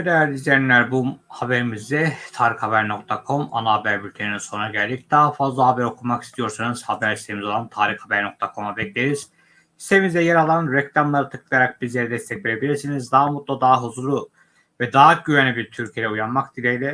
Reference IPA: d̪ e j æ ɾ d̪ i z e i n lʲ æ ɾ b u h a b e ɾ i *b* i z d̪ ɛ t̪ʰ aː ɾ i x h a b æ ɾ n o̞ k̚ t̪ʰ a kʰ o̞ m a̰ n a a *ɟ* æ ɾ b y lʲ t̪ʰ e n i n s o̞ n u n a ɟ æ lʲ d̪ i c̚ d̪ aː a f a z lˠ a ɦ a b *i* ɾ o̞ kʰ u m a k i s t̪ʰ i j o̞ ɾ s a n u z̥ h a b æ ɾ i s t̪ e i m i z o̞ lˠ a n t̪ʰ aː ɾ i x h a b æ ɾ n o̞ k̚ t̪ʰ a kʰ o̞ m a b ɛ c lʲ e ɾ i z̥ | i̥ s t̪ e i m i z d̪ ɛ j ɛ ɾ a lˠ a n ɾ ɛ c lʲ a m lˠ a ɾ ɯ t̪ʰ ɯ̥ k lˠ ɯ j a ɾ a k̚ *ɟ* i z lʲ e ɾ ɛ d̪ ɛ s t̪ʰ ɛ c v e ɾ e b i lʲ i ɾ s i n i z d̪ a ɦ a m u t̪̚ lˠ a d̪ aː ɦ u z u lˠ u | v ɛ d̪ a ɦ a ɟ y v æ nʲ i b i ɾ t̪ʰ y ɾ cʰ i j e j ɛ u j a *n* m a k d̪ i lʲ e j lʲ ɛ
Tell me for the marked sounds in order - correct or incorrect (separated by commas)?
incorrect, incorrect, incorrect, incorrect, correct